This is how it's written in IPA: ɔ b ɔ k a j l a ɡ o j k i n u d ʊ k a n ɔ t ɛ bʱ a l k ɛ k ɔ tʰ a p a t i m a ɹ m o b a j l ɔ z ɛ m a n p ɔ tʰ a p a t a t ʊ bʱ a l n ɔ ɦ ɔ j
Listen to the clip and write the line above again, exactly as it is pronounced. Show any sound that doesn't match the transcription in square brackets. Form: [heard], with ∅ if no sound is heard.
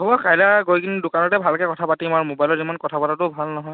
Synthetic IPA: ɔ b ɔ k a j l a ɡ o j k i n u d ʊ k a n ɔ t ɛ bʱ a l k ɛ k ɔ tʰ a p a t i m a ɹ m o b a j l ɔ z [i] m a n [k] ɔ tʰ a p a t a t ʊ bʱ a l n ɔ ɦ ɔ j